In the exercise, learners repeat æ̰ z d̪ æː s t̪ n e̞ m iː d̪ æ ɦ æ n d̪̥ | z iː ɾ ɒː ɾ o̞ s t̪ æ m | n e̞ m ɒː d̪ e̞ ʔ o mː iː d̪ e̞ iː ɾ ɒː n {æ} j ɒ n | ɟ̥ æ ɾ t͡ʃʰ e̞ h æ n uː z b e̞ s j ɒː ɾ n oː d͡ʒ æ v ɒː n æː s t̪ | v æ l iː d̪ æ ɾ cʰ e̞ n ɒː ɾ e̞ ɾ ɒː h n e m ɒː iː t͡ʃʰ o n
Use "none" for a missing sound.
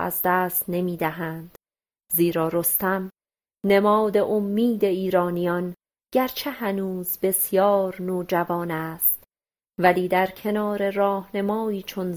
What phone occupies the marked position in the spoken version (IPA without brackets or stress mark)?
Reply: i